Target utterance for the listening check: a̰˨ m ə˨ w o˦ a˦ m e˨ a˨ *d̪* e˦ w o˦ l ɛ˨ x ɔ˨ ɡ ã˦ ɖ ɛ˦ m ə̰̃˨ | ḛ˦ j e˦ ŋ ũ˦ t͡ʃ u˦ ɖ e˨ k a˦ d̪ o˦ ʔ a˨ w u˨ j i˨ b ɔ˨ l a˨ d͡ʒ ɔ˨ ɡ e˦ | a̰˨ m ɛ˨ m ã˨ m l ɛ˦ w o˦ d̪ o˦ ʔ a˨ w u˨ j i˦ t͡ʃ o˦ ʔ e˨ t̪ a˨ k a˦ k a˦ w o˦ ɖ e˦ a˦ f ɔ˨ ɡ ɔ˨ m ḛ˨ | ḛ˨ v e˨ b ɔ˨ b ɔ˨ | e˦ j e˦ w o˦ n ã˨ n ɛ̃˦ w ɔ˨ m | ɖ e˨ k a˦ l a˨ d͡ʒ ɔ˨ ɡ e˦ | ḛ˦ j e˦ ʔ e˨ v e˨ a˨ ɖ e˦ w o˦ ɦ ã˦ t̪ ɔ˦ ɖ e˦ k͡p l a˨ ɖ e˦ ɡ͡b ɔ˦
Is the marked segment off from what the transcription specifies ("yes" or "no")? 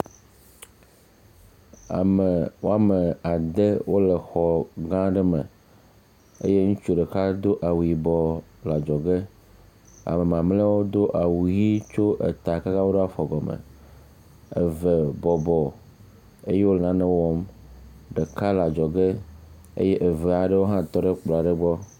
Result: no